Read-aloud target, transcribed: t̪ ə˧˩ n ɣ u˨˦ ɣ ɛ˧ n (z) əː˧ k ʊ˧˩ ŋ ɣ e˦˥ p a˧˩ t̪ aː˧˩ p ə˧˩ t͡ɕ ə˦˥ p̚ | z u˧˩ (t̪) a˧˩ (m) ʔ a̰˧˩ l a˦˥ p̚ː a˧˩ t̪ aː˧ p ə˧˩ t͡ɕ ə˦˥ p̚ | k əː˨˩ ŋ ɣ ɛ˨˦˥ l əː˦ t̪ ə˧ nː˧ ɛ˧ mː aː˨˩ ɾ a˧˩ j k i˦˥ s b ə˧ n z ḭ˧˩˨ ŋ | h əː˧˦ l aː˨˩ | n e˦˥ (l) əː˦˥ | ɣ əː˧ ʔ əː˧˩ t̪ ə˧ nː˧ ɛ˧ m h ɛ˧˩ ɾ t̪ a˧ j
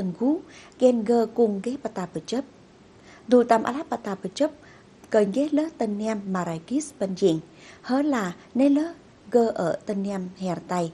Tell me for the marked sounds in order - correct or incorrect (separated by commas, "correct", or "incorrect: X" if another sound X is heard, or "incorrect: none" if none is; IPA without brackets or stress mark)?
incorrect: ɣ, correct, correct, correct